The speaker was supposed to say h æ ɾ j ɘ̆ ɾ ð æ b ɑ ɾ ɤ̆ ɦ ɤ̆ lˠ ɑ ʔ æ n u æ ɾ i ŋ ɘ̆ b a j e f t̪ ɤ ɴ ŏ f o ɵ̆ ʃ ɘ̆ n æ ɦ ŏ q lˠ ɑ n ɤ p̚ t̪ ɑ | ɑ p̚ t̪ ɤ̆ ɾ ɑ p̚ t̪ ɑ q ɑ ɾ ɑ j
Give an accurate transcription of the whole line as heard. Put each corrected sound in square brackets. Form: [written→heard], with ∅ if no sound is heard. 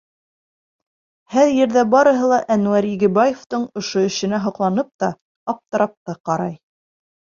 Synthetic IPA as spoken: h æ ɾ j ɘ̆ ɾ ð æ b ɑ ɾ ɤ̆ ɦ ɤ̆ lˠ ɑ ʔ æ n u æ ɾ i [ŋ→ɡ] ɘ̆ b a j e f t̪ ɤ ɴ ŏ [f→ʃ] o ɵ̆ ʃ ɘ̆ n æ ɦ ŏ q lˠ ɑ n ɤ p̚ t̪ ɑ | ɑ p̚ t̪ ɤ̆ ɾ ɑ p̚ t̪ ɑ q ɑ ɾ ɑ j